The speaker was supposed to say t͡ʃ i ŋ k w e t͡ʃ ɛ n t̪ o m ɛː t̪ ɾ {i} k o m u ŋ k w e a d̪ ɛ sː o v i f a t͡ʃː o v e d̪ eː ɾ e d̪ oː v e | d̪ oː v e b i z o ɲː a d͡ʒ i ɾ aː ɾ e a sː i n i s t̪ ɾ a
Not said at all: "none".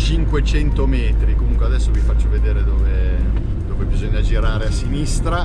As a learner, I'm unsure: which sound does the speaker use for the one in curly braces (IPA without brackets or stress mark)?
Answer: i